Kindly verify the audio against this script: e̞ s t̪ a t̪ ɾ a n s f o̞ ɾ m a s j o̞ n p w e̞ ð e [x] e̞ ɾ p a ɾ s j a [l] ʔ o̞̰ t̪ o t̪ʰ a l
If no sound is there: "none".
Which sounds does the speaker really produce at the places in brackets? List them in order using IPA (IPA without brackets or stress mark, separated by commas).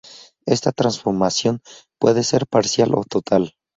s, l